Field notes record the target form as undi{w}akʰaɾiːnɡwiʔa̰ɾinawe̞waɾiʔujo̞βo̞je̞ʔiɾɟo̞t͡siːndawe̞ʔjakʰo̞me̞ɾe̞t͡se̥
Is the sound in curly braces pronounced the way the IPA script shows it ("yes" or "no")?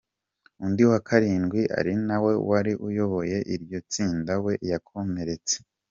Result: yes